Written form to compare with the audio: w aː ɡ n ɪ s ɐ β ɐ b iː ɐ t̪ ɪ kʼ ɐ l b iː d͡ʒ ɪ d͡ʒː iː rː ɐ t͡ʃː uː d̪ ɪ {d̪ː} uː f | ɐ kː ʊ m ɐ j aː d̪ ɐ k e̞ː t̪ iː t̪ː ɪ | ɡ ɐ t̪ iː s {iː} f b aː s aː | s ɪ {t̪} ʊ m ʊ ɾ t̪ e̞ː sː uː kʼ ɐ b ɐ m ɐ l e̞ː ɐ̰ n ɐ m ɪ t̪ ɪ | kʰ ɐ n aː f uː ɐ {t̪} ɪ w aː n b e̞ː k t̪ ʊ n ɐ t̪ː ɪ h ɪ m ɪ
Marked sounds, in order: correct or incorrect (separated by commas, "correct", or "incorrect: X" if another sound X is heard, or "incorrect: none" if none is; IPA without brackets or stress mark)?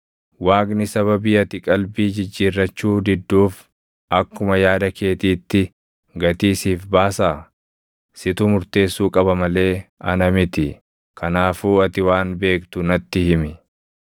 correct, correct, correct, correct